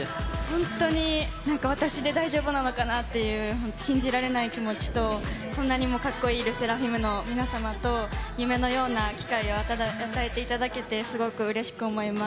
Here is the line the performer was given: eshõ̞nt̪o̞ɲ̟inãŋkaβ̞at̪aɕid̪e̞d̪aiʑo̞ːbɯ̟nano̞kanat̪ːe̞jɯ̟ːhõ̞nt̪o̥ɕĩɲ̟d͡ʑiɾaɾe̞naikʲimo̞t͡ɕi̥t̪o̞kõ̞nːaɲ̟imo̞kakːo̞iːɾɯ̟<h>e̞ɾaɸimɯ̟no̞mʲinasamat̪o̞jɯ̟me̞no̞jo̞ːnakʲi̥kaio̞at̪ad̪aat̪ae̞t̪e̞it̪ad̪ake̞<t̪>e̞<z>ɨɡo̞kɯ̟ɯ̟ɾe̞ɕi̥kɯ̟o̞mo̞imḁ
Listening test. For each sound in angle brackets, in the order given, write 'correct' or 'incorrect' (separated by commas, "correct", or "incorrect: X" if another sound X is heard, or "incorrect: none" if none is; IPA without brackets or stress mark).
incorrect: s, correct, incorrect: s